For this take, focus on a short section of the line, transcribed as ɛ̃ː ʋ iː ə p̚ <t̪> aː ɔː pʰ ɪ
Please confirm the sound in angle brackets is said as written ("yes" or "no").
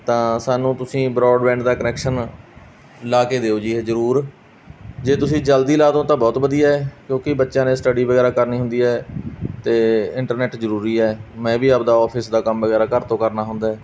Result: no